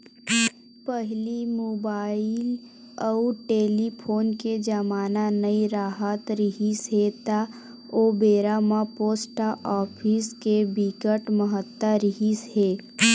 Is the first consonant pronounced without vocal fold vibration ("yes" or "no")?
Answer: yes